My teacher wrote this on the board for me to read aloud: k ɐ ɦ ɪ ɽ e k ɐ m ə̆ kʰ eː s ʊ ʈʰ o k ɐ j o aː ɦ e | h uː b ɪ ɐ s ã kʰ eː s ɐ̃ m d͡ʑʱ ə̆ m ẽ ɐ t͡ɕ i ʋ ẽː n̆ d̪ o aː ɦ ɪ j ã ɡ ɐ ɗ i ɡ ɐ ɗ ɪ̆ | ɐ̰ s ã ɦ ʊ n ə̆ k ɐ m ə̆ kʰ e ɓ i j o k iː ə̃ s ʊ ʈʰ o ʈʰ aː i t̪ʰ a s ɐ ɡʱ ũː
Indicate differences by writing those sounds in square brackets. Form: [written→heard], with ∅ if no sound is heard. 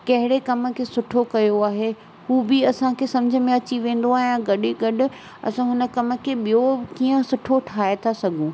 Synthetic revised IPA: k ɐ ɦ ɪ ɽ e k ɐ m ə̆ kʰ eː s ʊ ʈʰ o k ɐ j o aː ɦ e | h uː b ɪ ɐ s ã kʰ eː s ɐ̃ m d͡ʑʱ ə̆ m ẽ ɐ t͡ɕ i ʋ ẽː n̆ d̪ o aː ɦ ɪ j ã ɡ ɐ ɗ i ɡ ɐ ɗ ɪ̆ | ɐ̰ s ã ɦ ʊ n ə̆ k ɐ m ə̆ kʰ e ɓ i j o k iː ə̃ s ʊ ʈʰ o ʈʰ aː [i→e] t̪ʰ a s ɐ ɡʱ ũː

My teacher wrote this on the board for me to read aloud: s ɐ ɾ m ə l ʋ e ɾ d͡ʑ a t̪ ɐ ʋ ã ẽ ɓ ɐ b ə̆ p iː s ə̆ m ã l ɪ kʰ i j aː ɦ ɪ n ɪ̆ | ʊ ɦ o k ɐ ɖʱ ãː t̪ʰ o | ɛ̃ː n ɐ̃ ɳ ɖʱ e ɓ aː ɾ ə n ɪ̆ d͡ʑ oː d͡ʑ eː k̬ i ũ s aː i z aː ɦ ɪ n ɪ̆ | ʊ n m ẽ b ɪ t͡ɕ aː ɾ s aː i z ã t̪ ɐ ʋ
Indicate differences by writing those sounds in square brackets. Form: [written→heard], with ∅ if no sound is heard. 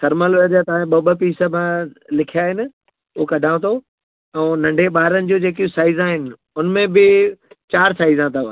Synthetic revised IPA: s ɐ ɾ m ə l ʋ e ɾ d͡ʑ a t̪ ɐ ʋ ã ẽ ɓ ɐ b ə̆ p iː s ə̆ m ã l ɪ kʰ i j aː ɦ ɪ n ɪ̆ | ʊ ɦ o k ɐ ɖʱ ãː t̪ʰ o | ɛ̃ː n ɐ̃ ɳ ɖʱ e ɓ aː ɾ ə n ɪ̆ d͡ʑ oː d͡ʑ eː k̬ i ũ s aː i z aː ɦ ɪ n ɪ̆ | ʊ n m ẽ b ɪ t͡ɕ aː ɾ s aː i z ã t̪ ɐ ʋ

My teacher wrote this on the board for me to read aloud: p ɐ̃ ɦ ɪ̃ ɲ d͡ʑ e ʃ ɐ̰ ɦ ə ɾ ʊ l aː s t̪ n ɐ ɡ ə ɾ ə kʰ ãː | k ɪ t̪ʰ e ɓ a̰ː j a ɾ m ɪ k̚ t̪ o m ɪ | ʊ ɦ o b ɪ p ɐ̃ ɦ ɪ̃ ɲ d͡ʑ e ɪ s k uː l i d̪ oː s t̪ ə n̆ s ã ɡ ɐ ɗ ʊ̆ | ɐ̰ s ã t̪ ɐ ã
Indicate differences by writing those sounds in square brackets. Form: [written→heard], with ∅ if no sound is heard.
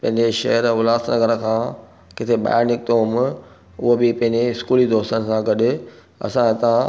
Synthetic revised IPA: p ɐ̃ ɦ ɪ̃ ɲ d͡ʑ e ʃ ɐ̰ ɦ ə ɾ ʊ l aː s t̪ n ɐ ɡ ə ɾ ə kʰ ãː | k ɪ t̪ʰ e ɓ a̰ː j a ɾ [m→n] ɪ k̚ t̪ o m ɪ | ʊ ɦ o b ɪ p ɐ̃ ɦ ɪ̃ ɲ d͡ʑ e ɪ s k uː l i d̪ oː s t̪ ə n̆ s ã ɡ ɐ ɗ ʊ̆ | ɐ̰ s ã t̪ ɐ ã

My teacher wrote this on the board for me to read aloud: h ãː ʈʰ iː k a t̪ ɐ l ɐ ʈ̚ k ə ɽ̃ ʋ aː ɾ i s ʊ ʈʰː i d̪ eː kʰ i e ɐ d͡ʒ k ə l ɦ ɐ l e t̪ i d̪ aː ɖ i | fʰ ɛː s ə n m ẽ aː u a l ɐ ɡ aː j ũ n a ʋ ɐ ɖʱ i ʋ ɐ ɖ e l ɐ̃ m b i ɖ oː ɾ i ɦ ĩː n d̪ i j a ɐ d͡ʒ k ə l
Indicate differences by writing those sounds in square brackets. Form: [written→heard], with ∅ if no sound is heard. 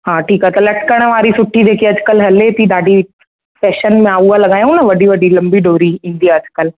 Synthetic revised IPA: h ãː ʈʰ iː k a t̪ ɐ l ɐ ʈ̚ k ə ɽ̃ ʋ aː ɾ i s ʊ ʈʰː i d̪ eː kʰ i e ɐ d͡ʒ k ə l ɦ ɐ l e t̪ i d̪ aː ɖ i | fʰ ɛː [s→ʃ] ə n m ẽ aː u a l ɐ ɡ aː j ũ n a ʋ ɐ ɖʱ i ʋ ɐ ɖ [e→i] l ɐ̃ m b i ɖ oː ɾ i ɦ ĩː n d̪ i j a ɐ d͡ʒ k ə l

